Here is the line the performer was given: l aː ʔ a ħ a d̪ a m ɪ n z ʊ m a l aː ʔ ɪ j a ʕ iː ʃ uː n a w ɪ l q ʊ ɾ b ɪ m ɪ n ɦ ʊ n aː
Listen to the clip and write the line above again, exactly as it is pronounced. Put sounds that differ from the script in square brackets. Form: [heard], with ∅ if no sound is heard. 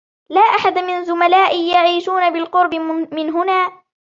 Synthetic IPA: l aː ʔ a ħ a d̪ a m ɪ n z ʊ m a l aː ʔ ɪ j a ʕ iː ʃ uː n a [b] ɪ l q ʊ ɾ b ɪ m ɪ n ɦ ʊ n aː